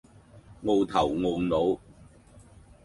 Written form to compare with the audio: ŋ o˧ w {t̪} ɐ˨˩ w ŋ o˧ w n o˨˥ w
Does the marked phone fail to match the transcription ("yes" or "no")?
yes